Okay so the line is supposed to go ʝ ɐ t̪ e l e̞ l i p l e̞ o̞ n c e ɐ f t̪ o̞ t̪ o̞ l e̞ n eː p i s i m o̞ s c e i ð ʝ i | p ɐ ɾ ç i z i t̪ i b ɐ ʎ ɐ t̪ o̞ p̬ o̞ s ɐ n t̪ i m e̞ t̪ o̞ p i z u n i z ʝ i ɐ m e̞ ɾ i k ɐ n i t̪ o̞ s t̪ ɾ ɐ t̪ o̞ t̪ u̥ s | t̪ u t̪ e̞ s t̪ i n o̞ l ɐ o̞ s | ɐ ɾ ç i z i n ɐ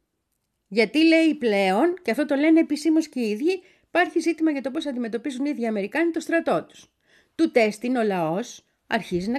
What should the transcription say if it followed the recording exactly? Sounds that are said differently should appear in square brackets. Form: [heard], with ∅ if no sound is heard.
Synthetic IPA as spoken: ʝ ɐ t̪ [i] l e̞ [∅] i p l e̞ o̞ n c e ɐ f t̪ o̞ t̪ o̞ l e̞ n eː p i s i m o̞ s c e i ð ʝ i | p ɐ ɾ ç i z i t̪ i [m] ɐ [ʝ] ɐ t̪ o̞ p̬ o̞ s ɐ n [d̪] i m e̞ t̪ o̞ p i z u n i [ð] ʝ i ɐ m e̞ ɾ i k ɐ n i t̪ o̞ s t̪ ɾ ɐ t̪ o̞ t̪ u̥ s | t̪ u t̪ e̞ s t̪ i n o̞ l ɐ o̞ s | ɐ ɾ ç i z i n ɐ